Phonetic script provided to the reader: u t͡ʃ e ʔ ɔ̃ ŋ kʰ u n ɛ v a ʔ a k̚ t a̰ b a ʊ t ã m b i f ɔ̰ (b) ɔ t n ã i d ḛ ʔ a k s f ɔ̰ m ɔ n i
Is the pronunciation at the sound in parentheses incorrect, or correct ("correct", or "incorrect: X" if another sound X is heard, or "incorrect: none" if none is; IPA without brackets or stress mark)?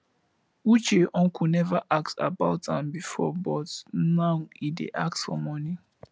correct